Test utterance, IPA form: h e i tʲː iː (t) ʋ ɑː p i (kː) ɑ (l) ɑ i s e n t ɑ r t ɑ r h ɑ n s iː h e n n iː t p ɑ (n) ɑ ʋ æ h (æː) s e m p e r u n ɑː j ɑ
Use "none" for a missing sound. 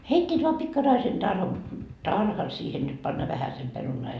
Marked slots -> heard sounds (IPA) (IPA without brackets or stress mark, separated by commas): t, kː, r, nː, æ